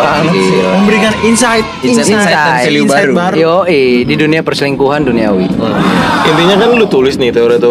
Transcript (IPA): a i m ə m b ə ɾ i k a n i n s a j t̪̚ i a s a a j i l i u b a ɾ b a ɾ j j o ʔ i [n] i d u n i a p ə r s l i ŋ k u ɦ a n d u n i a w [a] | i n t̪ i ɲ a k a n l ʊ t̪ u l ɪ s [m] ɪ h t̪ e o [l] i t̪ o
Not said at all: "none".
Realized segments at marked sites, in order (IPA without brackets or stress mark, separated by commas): d, i, n, ɾ